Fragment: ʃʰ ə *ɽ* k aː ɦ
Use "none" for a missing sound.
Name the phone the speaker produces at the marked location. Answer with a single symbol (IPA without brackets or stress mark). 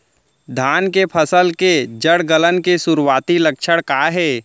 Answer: ɽ